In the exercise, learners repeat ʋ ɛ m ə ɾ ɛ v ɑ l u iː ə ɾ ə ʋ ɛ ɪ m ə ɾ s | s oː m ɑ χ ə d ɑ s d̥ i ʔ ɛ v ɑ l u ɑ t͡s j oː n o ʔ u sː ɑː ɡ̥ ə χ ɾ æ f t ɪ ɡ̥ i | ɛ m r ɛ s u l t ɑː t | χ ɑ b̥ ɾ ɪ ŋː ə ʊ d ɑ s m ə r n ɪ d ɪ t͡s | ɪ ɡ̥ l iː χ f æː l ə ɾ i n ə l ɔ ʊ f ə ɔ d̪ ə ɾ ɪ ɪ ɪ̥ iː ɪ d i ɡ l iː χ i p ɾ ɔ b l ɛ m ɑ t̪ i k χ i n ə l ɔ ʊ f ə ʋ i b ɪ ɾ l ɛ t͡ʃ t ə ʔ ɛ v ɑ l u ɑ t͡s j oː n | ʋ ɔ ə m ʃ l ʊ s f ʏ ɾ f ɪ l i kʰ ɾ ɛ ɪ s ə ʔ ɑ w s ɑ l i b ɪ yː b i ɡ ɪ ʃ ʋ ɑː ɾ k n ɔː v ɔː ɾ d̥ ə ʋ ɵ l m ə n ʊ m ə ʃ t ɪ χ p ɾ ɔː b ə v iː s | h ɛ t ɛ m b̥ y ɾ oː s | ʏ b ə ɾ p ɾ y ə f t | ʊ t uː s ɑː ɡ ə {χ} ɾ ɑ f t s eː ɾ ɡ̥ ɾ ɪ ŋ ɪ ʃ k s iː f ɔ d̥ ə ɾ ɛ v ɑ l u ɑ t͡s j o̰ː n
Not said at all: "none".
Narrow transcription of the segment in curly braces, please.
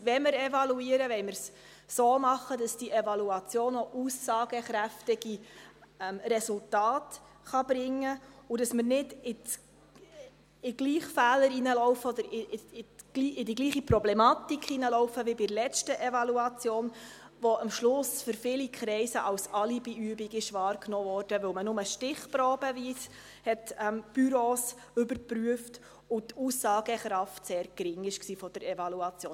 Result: χ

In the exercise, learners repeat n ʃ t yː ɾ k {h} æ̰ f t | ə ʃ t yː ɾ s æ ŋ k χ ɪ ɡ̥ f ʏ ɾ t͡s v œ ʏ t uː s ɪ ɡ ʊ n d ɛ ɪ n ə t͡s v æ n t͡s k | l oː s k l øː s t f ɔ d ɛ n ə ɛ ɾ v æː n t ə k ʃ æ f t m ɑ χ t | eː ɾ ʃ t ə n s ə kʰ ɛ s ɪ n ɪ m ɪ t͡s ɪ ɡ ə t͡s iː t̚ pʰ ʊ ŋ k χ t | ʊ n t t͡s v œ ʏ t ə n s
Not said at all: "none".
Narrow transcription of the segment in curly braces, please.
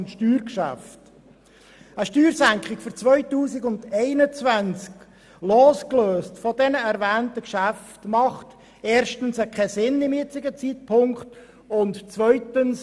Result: ʃ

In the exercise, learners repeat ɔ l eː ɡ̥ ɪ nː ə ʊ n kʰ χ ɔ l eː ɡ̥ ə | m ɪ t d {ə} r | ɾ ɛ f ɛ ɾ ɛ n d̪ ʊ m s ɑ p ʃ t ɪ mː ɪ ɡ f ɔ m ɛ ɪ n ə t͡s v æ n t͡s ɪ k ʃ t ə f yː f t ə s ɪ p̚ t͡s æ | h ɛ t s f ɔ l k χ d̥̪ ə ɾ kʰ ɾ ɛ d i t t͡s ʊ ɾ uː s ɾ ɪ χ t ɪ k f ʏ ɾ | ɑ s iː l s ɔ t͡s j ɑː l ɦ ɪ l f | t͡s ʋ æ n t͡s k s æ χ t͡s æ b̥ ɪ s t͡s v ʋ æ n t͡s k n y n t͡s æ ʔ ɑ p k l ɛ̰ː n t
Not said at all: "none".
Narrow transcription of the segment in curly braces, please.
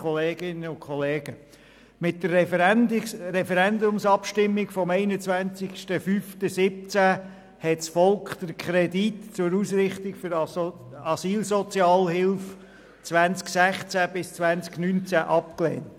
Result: ə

